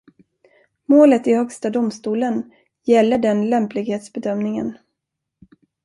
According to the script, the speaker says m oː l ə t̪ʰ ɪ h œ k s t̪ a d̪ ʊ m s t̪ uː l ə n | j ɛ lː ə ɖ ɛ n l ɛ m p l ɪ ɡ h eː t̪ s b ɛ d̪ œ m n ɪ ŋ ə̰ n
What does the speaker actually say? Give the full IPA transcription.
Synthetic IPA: m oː l ə t̪ ɪ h œ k s t̪ a d̪ ʊ m s t̪ uː l ə n | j ɛ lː ə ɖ ɛ n l ɛ m p l ɪ ɡ h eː t̪ s b ɛ d̪ œ m n ɪ ŋ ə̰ n